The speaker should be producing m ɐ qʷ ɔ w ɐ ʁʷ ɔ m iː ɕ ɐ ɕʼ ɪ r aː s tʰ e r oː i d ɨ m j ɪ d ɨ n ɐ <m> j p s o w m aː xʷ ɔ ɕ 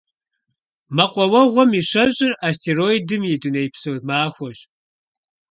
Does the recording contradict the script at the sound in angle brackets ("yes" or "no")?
yes